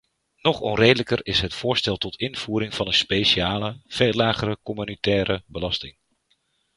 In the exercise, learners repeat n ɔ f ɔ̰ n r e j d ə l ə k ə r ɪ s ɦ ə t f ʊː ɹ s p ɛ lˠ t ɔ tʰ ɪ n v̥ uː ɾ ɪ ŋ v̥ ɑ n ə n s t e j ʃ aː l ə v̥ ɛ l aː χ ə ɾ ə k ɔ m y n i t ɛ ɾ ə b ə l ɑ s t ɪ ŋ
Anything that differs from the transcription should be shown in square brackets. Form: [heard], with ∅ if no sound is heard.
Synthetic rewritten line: n ɔ [χ] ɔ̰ n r e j d ə l ə k ə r ɪ s ɦ ə t f ʊː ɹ s [t] ɛ lˠ t ɔ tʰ ɪ n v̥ uː ɾ ɪ ŋ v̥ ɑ n ə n s [p] e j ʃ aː l ə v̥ [e] l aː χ ə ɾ ə k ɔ m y n i t [ɛː] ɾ ə b ə l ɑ s t ɪ ŋ